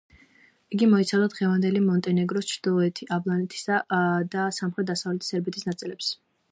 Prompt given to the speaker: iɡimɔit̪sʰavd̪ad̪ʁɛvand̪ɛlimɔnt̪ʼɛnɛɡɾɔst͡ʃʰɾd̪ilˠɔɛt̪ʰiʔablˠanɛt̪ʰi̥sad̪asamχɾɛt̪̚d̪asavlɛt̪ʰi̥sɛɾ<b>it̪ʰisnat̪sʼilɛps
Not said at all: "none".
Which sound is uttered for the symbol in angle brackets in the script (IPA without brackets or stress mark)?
b